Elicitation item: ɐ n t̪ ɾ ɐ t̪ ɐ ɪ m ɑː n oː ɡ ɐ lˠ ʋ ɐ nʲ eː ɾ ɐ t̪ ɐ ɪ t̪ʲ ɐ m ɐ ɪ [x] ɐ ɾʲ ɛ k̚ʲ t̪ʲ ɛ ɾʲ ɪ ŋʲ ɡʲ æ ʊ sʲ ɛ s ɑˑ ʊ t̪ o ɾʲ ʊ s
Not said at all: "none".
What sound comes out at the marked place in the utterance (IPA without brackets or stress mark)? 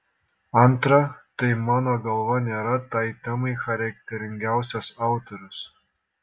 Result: x